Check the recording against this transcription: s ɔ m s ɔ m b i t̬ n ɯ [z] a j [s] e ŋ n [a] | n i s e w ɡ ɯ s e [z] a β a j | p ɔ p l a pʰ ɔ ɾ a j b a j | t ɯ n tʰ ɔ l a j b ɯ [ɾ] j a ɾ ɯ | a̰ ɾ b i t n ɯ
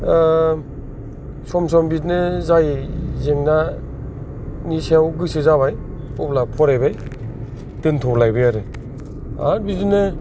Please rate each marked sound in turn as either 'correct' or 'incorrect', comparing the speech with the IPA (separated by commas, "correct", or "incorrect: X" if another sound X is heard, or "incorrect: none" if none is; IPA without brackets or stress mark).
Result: correct, incorrect: z, correct, correct, incorrect: none